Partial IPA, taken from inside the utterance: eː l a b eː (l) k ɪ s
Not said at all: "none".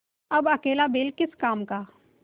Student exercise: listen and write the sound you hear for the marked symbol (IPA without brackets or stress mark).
l